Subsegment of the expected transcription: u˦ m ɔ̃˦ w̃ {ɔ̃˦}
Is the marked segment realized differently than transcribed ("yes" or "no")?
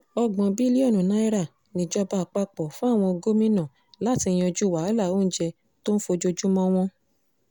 no